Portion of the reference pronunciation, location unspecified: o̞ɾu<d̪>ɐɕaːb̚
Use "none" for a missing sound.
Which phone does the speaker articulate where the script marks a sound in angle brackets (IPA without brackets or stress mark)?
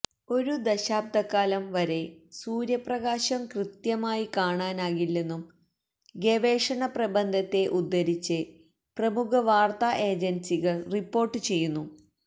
d̪